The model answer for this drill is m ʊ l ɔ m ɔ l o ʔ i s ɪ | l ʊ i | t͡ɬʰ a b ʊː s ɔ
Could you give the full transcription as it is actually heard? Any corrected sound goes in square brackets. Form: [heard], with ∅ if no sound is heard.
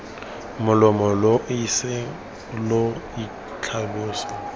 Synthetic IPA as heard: m ʊ l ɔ m ɔ l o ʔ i s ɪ | l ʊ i | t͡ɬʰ a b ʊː s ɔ